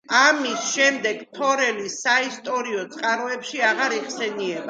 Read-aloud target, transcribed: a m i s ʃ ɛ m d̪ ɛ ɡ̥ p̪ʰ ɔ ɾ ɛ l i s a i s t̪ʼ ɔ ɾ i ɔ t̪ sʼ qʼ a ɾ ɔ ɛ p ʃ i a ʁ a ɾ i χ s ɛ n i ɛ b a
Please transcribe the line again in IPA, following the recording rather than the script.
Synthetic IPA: a m i s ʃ ɛ m d̪ ɛ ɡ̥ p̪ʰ ɔ ɾ ɛ l i s a i s t̪ʼ ɔ ɾ i ɔ t̪ sʼ qʼ a ɾ ɔ ɛ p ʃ i a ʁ a ɾ i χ s ɛ n i ɛ b a

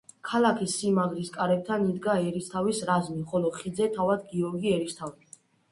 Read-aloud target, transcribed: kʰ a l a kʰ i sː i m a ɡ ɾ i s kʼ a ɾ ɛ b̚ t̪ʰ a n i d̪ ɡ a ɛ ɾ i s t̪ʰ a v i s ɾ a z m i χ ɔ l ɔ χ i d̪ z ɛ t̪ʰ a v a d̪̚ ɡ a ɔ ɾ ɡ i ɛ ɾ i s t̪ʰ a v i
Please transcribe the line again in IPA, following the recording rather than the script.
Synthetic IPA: kʰ a l a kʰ i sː i m a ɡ ɾ i s kʼ a ɾ ɛ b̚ t̪ʰ a n i d̪ ɡ a ɛ ɾ i s t̪ʰ a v i s ɾ a z m i χ ɔ l ɔ χ i d̪ z ɛ t̪ʰ a v a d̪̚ ɡ i ɔ ɾ ɡ i ɛ ɾ i s t̪ʰ a v i

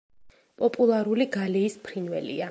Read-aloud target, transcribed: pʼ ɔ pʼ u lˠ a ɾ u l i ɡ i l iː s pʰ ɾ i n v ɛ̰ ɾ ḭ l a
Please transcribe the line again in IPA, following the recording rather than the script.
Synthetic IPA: pʼ ɔ pʼ u lˠ a ɾ u l i ɡ a l iː s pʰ ɾ i n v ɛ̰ l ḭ a

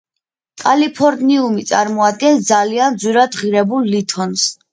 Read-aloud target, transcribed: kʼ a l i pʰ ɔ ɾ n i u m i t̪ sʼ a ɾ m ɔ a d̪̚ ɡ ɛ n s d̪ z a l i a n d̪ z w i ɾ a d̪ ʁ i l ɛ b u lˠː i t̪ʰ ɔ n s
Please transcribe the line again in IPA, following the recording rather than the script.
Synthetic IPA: kʼ a l i pʰ ɔ ɾ n i u m i t̪ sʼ a ɾ m ɔ a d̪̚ ɡ ɛ n s d̪ z a l i a n d̪ z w i ɾ a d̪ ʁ i ɾ ɛ b u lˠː i t̪ʰ ɔ n s

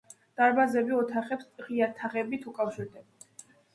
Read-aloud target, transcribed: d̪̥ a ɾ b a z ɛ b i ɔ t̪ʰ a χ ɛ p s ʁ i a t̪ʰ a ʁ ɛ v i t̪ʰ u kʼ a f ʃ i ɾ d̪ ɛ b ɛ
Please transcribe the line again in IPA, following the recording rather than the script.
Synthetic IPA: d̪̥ a ɾ b a z ɛ b i ɔ t̪ʰ a χ ɛ p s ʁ i a t̪ʰ a ʁ ɛ b i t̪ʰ u kʼ a f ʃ i ɾ d̪ ɛ b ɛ

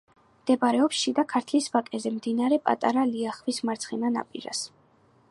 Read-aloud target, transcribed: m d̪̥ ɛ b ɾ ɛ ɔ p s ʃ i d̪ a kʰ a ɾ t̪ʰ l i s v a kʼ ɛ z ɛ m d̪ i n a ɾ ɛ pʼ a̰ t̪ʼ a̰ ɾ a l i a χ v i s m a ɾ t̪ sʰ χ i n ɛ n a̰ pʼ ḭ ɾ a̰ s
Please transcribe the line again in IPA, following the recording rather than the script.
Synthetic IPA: m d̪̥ ɛ b ɾ ɛ ɔ p s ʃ i d̪ a kʰ a ɾ t̪ʰ l i s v a kʼ ɛ z ɛ m d̪ i n a ɾ ɛ pʼ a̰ t̪ʼ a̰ ɾ a l i a χ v i s m a ɾ t̪ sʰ χ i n a n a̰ pʼ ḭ ɾ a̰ s

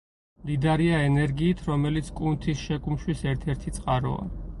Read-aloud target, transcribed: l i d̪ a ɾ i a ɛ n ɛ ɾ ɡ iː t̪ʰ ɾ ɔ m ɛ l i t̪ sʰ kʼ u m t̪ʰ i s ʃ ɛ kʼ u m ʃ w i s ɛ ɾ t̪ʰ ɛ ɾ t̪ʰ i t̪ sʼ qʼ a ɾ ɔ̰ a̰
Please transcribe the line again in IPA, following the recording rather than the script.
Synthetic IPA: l i d̪ a ɾ i a ɛ n ɛ ɾ ɡ iː t̪ʰ ɾ ɔ m ɛ l i t̪ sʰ kʼ u n t̪ʰ i s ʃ ɛ kʼ u m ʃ w i s ɛ ɾ t̪ʰ ɛ ɾ t̪ʰ i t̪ sʼ qʼ a ɾ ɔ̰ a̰

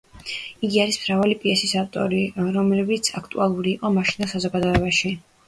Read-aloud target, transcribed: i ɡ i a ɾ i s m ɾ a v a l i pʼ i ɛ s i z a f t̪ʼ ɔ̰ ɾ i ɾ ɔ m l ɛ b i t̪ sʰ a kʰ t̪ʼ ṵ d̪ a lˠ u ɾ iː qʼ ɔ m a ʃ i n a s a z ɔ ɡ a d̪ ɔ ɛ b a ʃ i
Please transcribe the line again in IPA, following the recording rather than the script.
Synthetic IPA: i ɡ i a ɾ i s m ɾ a v a l i pʼ i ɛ s i s a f t̪ʼ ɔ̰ ɾ i ɾ ɔ m l ɛ b i t̪ sʰ a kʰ t̪ʼ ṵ a lˠ u ɾ iː qʼ ɔ m a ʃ i n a s a z ɔ ɡ a d̪ ɔ ɛ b a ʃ i

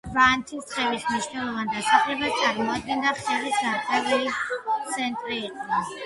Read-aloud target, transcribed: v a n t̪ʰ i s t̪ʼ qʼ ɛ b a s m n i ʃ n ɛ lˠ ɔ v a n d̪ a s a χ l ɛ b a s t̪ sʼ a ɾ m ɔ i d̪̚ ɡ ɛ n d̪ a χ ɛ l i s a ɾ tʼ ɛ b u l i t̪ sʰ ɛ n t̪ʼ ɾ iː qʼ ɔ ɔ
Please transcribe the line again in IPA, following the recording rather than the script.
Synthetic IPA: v a n t̪ʰ i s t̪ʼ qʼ ɛ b i s m n i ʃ n ɛ lˠ ɔ v a n d̪ a s a χ l ɛ b a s t̪ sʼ a ɾ m ɔ a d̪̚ ɡ ɛ n d̪ a χ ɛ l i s a ɾ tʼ ɛ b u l i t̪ sʰ ɛ n t̪ʼ ɾ iː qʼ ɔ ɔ

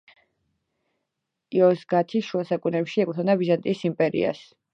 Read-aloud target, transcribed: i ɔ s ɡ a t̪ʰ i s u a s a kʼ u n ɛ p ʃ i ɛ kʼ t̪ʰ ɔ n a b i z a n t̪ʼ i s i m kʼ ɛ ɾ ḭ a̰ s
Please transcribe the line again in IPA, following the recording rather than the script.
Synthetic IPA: i ɔ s ɡ a t̪ʰ i ʃ u a s a kʼ u n ɛ p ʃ i ɛ kʼ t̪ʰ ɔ n a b i z a n t̪ʼ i s i m pʼ ɛ ɾ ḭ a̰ s

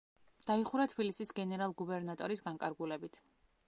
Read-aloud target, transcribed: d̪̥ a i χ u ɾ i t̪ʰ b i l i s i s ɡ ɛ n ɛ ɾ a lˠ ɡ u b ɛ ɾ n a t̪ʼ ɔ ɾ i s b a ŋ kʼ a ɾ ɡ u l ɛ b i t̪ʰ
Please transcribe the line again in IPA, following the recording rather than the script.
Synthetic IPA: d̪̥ a i χ u ɾ a t̪ʰ b i l i s i s ɡ ɛ n ɛ ɾ a lˠ ɡ u b ɛ ɾ n a t̪ʼ ɔ ɾ i s ɡ a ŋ kʼ a ɾ ɡ u l ɛ b i t̪ʰ

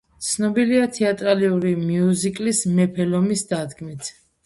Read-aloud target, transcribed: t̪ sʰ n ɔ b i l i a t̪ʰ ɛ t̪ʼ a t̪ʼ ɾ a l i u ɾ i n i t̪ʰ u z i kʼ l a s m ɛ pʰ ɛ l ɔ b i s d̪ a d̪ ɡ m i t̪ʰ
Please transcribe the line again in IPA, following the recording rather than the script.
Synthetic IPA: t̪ sʰ n ɔ b i l i a t̪ʰ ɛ a t̪ʼ ɾ a l i u ɾ i m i u z i kʼ l i s m ɛ pʰ ɛ l ɔ m i s d̪ a d̪ ɡ m i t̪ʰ

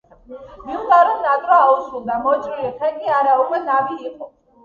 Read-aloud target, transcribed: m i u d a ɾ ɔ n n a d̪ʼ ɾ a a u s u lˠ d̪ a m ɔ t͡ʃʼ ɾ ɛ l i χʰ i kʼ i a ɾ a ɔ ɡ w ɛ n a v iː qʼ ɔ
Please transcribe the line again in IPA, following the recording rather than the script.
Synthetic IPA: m i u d a ɾ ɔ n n a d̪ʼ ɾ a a u s u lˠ d̪ a m ɔ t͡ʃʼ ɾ i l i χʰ ɛ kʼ i a ɾ a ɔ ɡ w ɛ n a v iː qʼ ɔ

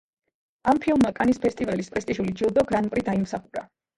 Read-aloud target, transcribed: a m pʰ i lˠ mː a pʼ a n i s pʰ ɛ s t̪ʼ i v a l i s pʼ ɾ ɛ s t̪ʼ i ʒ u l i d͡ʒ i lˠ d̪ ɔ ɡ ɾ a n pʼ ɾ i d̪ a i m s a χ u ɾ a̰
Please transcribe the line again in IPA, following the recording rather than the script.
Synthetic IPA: a m pʰ i lˠ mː a kʼ a n i s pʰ ɛ s t̪ʼ i v a l i s pʼ ɾ ɛ s t̪ʼ i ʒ u l i d͡ʒ i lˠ d̪ ɔ ɡ ɾ a n pʼ ɾ i d̪ a i m s a χ u ɾ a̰

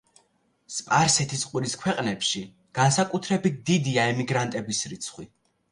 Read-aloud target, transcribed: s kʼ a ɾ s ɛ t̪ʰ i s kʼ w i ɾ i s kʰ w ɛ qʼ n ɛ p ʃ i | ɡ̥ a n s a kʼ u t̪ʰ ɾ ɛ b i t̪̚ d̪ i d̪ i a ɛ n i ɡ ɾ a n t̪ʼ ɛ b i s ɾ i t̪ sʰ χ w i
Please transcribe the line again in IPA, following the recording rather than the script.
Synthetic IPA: s pʼ a ɾ s ɛ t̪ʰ i s qʼ w i ɾ i s kʰ w ɛ qʼ n ɛ p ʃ i | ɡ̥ a n s a kʼ u t̪ʰ ɾ ɛ b i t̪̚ d̪ i d̪ i a ɛ m i ɡ ɾ a n t̪ʼ ɛ b i s ɾ i t̪ sʰ χ w i

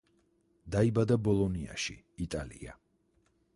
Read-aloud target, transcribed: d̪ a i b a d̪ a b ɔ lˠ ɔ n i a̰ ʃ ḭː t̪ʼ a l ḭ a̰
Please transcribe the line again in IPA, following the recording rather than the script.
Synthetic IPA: d̪ a i b a d̪ a b ɔ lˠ ɔ n i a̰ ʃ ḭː t̪ʼ a l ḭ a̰

